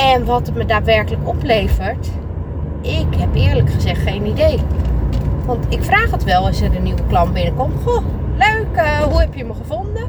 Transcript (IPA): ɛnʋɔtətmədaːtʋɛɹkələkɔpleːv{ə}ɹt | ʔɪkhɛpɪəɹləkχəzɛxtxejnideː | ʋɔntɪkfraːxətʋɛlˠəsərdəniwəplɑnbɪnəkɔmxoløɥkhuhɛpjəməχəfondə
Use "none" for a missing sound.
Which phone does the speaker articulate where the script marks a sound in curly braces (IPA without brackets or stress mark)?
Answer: ə